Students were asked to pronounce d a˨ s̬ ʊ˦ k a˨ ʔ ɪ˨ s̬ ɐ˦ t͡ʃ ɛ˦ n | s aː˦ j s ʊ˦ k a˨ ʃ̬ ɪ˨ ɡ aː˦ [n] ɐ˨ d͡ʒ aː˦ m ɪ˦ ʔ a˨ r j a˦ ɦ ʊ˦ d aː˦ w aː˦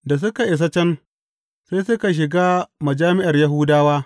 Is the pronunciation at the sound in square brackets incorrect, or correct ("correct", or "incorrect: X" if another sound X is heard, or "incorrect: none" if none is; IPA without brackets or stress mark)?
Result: incorrect: m